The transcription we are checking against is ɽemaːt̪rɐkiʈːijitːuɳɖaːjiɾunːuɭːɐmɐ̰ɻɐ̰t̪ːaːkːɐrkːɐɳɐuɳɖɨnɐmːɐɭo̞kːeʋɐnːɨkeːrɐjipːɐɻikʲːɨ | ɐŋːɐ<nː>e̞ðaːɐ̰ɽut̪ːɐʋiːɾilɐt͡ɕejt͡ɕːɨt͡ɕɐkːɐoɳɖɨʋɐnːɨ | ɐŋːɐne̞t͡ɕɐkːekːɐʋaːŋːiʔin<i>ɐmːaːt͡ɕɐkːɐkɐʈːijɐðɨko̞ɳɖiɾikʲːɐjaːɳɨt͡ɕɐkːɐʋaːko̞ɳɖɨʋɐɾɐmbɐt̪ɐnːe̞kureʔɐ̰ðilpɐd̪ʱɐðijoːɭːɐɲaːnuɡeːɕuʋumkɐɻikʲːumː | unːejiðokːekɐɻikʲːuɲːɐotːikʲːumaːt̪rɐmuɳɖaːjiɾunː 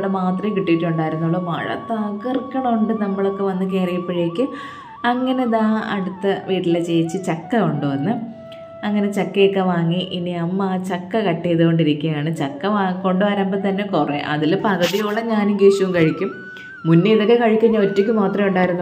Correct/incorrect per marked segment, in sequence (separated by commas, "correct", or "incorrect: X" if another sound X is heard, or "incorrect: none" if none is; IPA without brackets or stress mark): incorrect: n, correct